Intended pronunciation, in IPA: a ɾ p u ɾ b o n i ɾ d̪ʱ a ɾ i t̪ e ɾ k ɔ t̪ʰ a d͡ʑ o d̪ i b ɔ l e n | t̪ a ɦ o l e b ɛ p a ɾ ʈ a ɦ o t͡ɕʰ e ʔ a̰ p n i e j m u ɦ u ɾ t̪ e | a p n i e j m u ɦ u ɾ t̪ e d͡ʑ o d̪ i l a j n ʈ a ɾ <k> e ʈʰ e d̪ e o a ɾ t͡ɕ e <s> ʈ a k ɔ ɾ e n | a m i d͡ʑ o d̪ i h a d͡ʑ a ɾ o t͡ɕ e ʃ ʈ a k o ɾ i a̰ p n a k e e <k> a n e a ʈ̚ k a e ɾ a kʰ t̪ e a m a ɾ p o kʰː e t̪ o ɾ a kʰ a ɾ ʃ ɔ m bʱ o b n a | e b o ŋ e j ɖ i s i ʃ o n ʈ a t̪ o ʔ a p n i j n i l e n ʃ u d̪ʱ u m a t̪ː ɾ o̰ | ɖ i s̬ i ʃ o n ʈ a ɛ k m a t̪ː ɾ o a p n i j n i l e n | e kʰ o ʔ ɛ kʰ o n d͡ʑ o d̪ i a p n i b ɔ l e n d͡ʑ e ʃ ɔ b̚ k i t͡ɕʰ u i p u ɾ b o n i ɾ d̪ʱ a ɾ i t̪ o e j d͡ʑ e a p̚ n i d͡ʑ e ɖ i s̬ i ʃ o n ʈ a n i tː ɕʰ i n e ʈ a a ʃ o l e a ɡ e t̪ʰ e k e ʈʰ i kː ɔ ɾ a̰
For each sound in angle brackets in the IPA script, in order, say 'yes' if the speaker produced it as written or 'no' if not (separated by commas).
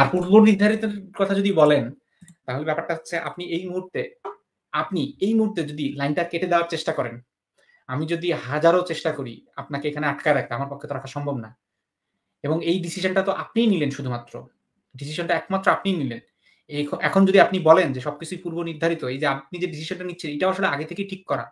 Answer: yes, no, no